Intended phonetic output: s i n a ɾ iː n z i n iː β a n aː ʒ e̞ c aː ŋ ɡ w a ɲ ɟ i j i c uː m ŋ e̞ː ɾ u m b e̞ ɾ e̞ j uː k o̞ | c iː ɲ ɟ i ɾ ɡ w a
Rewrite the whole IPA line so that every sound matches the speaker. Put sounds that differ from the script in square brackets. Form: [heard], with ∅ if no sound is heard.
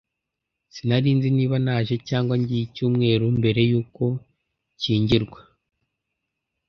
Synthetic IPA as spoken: s i n a ɾ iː n z i n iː β a n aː ʒ e̞ c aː ŋ ɡ w a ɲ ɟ i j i c uː m ŋ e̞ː ɾ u m b e̞ ɾ e̞ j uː k o̞ | c iː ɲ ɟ i ɾ ɡ w a

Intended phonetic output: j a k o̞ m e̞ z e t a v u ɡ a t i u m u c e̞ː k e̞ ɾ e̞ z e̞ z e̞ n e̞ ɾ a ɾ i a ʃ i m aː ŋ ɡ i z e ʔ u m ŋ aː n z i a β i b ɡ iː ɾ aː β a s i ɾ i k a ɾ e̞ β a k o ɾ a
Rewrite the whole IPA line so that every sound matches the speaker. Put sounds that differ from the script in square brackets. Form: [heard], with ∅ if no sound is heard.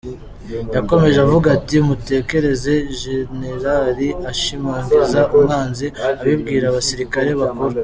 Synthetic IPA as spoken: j a k o̞ m e̞ [ʒ] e [∅] a v u ɡ a t i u m u [t] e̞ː k e̞ ɾ e̞ z e̞ [ʒ] e̞ n e̞ ɾ a ɾ i a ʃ i m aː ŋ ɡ i z [a] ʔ u m ŋ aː n z i a β i b ɡ iː ɾ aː β a s i ɾ i k a ɾ e̞ β a k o ɾ a

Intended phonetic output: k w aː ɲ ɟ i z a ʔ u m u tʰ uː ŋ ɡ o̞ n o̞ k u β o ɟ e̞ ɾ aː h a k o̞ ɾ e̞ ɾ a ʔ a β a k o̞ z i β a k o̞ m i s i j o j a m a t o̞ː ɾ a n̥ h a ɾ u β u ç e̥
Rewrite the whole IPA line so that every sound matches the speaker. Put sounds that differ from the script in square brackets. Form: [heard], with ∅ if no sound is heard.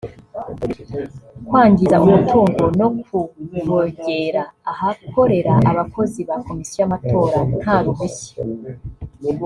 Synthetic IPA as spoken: k w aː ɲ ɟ i z a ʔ u m u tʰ uː ŋ ɡ o̞ n o̞ k u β o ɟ e̞ ɾ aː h a k o̞ ɾ e̞ ɾ a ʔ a β a k o̞ z i β a k o̞ m i s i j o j a m a t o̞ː ɾ a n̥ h a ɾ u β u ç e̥

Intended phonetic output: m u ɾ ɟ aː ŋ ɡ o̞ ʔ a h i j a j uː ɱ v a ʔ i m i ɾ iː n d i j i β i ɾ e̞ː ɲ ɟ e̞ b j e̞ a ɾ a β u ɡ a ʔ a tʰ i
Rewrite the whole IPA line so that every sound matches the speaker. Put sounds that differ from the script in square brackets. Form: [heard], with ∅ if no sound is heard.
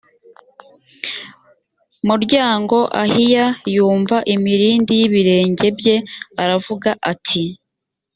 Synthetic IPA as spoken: m u ɾ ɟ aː ŋ ɡ o̞ ʔ a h i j a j uː ɱ v a ʔ i m i ɾ iː n d i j i β i ɾ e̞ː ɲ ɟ e̞ b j e̞ a ɾ a [v] u ɡ a ʔ a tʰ i

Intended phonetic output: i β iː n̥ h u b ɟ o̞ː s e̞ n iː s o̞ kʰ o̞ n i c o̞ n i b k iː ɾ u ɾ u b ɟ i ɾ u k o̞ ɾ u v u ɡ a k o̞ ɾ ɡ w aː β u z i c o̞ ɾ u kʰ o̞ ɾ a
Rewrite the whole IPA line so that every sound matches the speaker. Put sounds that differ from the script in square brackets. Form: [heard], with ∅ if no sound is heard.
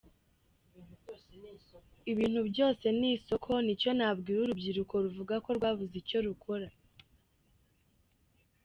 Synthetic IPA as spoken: i β iː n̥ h u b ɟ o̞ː s e̞ n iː s o̞ kʰ o̞ n i c o̞ n [a] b [ɡ] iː ɾ u ɾ u b ɟ i ɾ u k o̞ ɾ u v u ɡ a k o̞ ɾ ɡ w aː β u z i c o̞ ɾ u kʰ o̞ ɾ a

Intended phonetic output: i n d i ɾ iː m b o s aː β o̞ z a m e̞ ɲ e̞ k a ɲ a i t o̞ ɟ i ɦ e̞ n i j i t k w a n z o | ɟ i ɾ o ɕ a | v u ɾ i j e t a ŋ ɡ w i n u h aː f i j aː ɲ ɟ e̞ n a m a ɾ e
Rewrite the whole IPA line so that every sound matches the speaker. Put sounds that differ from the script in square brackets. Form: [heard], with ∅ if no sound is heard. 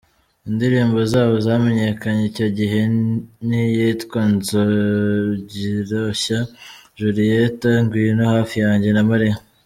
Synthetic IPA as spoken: i n d i ɾ iː m b o [z] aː β o̞ z a m e̞ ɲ e̞ k a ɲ [e] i [c] o̞ ɟ i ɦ e̞ n i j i t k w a n z o | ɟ i ɾ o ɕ a | [ʒ] u ɾ i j e t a ŋ ɡ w i n [o] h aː f i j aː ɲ ɟ e̞ n a m a ɾ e

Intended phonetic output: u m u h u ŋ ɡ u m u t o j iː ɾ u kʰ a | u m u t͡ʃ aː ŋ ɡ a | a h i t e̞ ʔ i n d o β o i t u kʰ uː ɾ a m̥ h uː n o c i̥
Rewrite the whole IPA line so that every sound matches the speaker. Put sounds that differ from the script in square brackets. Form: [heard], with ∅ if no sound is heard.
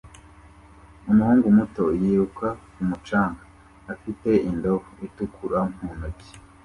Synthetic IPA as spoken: u m u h [uː] ŋ ɡ u m u t o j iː ɾ u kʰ a | u m u t͡ʃ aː ŋ ɡ a | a [f] i t e̞ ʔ i n d o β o i t u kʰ [u] ɾ a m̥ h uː n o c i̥

